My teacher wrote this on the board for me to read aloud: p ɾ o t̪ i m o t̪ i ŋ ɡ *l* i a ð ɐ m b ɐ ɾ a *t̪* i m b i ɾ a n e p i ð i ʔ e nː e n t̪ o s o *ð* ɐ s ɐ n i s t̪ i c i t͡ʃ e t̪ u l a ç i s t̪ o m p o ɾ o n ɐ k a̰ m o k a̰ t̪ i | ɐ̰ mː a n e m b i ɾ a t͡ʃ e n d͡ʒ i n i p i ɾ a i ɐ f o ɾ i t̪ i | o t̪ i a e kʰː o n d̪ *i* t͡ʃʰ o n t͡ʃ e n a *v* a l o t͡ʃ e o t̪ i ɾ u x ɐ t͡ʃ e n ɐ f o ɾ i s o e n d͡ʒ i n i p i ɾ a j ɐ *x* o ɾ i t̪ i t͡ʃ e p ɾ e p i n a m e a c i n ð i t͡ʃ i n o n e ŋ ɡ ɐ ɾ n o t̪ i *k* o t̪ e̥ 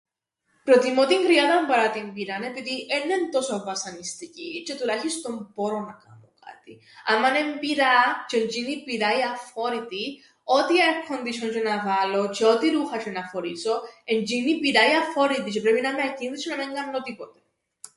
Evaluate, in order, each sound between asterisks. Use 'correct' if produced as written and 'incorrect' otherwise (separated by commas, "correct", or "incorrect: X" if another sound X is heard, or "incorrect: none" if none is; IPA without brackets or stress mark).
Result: incorrect: ɾ, correct, incorrect: v, correct, correct, incorrect: f, incorrect: p